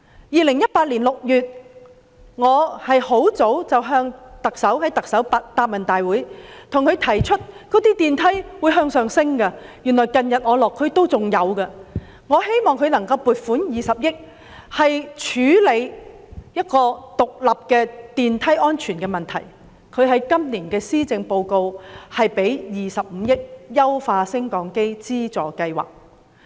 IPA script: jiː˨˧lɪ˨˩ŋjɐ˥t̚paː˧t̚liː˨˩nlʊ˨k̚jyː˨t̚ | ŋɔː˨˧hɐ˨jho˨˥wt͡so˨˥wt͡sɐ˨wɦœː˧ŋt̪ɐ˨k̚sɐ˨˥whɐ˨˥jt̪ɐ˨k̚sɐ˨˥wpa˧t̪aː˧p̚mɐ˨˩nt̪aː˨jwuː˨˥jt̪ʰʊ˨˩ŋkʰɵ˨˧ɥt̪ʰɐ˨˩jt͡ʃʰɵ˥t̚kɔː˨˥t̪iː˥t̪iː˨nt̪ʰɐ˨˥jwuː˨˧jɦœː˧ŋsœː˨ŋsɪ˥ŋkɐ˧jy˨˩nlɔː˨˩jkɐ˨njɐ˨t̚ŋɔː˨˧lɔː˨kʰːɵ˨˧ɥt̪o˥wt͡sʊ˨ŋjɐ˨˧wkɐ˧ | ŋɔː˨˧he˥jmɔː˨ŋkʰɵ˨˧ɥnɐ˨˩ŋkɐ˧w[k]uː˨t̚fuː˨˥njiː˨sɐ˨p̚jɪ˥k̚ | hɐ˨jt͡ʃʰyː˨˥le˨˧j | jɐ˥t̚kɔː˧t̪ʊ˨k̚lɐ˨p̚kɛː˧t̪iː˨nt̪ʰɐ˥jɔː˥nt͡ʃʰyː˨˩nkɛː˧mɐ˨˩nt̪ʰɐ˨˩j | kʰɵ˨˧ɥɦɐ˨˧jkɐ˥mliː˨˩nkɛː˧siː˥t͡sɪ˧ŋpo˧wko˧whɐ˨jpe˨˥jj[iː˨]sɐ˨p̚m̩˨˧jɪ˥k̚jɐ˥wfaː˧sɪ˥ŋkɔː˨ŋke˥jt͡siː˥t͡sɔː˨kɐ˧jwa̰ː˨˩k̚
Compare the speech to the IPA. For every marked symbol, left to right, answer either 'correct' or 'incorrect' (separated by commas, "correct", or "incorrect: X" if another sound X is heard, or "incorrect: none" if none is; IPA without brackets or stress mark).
incorrect: p, correct